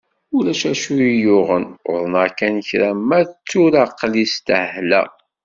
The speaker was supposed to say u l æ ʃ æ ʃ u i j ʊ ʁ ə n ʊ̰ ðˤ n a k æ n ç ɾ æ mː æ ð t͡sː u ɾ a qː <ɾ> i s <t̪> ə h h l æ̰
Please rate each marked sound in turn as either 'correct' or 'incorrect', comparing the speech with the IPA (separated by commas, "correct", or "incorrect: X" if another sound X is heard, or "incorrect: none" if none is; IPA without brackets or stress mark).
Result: incorrect: l, correct